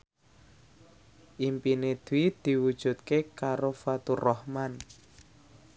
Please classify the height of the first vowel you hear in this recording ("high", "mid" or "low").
high